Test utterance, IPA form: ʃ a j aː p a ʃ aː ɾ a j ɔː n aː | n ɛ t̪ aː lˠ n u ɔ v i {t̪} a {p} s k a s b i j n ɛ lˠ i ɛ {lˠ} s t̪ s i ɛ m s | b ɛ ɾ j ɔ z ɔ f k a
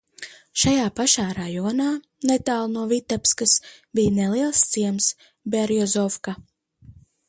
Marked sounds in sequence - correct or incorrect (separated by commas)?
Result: correct, correct, correct